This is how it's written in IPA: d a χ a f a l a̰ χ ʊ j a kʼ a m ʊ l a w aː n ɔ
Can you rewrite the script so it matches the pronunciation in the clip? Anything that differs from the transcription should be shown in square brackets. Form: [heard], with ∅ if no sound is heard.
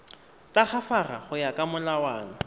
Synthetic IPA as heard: [t] a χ a f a [r] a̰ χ ʊ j a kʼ a m ʊ l a w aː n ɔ

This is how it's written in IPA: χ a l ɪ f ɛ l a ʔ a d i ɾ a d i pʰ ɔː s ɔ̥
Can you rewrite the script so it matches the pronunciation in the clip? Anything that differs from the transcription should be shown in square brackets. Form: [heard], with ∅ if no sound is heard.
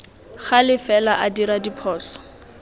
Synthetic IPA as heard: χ a l ɪ f ɛ l a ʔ a d i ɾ a d i pʰ ɔː s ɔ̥

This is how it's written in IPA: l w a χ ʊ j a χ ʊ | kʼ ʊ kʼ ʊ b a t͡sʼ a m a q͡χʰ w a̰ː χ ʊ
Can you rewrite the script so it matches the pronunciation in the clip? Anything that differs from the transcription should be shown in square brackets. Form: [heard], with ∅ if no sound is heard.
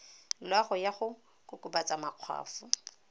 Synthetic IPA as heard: l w a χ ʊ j a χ ʊ | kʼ ʊ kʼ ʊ b a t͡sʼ a m a q͡χʰ w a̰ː [f] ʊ

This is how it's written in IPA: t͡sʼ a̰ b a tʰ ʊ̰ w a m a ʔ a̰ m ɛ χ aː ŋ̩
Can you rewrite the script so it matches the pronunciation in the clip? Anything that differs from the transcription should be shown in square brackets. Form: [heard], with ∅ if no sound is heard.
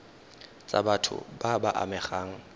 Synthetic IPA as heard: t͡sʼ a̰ b a tʰ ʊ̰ [b] a [b] a ʔ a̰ m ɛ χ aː ŋ̩

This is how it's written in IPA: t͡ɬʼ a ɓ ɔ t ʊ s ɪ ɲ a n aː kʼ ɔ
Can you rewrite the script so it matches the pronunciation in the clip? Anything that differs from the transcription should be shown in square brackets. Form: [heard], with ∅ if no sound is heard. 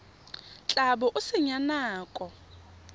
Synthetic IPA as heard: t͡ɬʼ a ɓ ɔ [ʔ] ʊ s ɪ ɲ a n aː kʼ ɔ

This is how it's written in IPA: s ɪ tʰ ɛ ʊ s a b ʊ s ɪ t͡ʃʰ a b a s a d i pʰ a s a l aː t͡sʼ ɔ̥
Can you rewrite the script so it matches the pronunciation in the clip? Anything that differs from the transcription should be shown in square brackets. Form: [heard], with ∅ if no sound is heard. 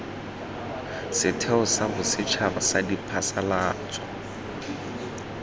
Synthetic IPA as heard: s ɪ tʰ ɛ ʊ s a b ʊ s ɪ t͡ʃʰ a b a s a d i pʰ a s a l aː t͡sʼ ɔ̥

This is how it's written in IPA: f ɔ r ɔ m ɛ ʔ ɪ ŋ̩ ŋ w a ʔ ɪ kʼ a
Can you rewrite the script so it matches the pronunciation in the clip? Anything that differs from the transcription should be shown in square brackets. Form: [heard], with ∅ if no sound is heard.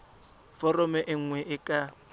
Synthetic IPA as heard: f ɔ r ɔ m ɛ ʔ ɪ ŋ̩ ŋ w [ɛ] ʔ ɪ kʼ a

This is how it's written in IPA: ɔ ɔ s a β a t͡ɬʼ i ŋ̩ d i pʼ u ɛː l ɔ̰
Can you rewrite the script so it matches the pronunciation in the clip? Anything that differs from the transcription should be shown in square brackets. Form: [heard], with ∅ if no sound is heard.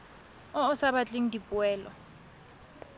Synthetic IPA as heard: ɔ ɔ s a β a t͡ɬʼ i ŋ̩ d i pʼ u ɛː l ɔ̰

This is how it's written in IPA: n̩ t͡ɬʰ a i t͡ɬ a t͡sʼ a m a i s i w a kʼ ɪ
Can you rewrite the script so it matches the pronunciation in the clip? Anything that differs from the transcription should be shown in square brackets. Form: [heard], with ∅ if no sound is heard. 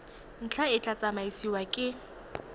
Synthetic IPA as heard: n̩ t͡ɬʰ a [ɪ] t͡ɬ a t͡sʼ a m a i s i w a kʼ ɪ

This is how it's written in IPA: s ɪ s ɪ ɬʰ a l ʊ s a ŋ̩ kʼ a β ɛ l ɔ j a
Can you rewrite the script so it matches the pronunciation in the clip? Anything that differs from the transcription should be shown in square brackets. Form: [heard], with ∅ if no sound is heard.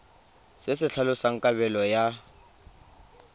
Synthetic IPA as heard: s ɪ s ɪ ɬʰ a l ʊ s a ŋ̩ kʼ a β ɛ l ɔ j a

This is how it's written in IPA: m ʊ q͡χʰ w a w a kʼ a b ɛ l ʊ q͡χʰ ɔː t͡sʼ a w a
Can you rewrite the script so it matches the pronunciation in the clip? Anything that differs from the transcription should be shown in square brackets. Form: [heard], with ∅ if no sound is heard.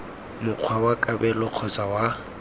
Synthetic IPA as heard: m ʊ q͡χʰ w a w a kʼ a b ɛ l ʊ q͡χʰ [ɔ] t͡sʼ a w a

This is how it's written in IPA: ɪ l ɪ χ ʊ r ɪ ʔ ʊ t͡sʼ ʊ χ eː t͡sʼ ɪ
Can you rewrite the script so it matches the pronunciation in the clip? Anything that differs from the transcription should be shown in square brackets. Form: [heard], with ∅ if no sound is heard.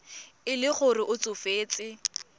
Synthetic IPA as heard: ɪ l ɪ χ ʊ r ɪ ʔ ʊ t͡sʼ ʊ [f] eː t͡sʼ ɪ

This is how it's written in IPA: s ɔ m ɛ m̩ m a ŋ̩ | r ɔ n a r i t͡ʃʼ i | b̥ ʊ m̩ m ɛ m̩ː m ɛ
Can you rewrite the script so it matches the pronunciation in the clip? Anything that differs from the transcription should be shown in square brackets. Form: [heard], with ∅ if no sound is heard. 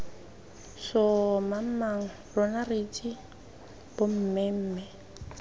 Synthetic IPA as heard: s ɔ m [a] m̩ m a ŋ̩ | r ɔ n a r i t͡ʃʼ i | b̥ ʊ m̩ m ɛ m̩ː m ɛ

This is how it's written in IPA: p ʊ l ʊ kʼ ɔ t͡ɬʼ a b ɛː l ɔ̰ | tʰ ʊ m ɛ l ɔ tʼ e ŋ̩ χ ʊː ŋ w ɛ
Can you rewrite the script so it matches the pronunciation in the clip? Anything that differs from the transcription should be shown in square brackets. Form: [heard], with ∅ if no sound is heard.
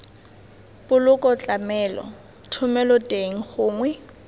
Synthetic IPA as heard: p ʊ l ʊ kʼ ɔ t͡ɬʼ a [m] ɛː l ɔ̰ | tʰ ʊ m ɛ l ɔ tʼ e ŋ̩ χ ʊː ŋ w ɛ

